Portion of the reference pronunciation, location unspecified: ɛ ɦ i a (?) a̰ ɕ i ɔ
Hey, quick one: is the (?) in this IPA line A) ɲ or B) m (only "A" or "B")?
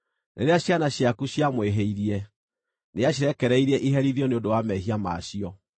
B